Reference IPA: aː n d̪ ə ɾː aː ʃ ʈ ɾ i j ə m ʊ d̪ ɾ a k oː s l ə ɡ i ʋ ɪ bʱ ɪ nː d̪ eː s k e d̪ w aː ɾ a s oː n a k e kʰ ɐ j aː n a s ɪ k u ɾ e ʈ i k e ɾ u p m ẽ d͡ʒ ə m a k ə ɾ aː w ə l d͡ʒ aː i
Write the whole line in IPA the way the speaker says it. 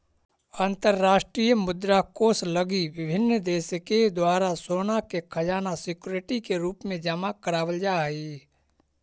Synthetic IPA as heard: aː n t̪ ə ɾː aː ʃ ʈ ɾ i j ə m ʊ d̪ ɾ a k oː s l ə ɡ i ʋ ɪ bʱ ɪ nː d̪ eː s k e d̪ w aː ɾ a s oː n a k e kʰ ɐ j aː n a s ɪ k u ɾ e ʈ i k e ɾ uː p m ẽ d͡ʒ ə m a k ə ɾ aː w ə l d͡ʒ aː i